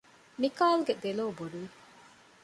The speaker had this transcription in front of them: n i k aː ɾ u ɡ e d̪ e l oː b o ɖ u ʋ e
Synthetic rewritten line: m i k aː l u ɡ e d̪ e l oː b o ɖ u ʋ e